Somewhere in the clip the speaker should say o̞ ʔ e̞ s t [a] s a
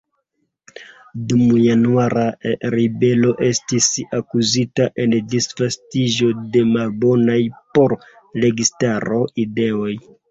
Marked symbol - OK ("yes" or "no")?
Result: no